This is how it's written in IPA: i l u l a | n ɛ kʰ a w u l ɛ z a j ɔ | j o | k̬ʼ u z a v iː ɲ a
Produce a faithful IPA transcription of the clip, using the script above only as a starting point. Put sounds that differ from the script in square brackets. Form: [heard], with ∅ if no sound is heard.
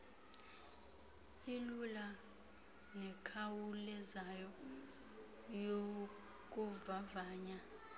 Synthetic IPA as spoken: i l u l a | n ɛ kʰ a w u l ɛ z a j ɔ | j o | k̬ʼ u [v] a v [aː] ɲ a